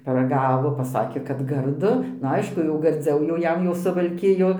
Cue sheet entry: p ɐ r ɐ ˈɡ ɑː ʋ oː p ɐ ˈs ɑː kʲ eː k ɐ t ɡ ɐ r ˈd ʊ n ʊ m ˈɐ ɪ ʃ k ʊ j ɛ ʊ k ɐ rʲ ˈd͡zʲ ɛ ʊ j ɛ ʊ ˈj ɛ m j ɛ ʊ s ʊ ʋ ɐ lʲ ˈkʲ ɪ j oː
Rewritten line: p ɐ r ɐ ˈɡ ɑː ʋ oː p ɐ ˈs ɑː kʲ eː k ɐ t ɡ ɐ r ˈd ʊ n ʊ ˈɐ ɪ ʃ k ʊ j ɛ ʊ ɡ ɐ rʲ ˈd͡zʲ ɛ ʊ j ɛ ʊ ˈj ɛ m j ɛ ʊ s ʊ ʋ ɐ lʲ ˈkʲ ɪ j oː